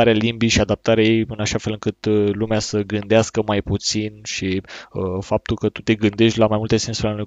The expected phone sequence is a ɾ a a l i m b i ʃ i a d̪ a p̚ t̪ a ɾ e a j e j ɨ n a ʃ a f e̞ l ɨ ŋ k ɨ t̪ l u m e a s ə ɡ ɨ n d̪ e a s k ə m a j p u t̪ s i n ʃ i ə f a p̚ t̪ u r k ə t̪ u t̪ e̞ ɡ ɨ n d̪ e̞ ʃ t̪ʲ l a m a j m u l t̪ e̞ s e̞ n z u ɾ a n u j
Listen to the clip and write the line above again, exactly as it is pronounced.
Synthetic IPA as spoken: a ɾ e a l i m b i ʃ i a d̪ a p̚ t̪ a ɾ e a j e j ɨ n a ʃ a f e̞ l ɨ ŋ k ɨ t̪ l u m e a s ə ɡ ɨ n d̪ e a s k ə m a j p u t̪ s i n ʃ i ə f a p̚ t̪ u l k ə t̪ u t̪ e̞ ɡ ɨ n d̪ e̞ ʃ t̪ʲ l a m a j m u l t̪ e̞ s e̞ n s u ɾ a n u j